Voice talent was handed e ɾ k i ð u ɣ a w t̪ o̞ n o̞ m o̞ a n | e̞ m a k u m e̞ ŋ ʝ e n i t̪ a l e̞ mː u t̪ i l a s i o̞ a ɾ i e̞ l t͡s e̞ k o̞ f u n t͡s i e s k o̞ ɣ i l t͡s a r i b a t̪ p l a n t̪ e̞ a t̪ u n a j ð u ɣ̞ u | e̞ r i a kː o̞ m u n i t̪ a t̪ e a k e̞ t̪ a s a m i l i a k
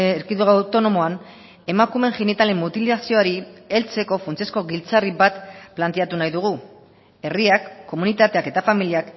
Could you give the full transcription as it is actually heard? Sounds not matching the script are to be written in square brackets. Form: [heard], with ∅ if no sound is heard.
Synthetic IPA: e ɾ k i ð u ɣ a w t̪ o̞ n o̞ m o̞ a n | e̞ m a k u m e̞ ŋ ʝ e n i t̪ a l e̞ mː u t̪ i l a s i o̞ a ɾ i e̞ l t͡s e̞ k o̞ f u n t͡s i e s k o̞ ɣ i l t͡s a r i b a t̪ p l a n t̪ e̞ a t̪ u n a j ð u ɣ̞ u | e̞ r i a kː o̞ m u n i t̪ a t̪ e a k e̞ t̪ a [f] a m i l i a k